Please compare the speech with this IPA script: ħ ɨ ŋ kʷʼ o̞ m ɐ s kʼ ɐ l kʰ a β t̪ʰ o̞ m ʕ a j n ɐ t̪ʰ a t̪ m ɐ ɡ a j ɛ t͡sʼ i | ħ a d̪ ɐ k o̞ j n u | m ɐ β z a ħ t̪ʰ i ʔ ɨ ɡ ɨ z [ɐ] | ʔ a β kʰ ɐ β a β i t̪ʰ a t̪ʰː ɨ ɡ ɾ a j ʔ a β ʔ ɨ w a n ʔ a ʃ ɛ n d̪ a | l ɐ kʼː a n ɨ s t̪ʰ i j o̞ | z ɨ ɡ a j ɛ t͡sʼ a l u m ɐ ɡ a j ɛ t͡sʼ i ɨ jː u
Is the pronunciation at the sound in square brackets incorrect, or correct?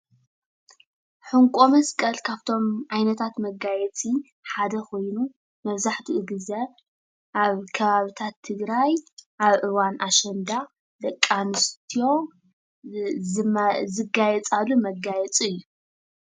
correct